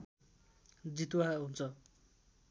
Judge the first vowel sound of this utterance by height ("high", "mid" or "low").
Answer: high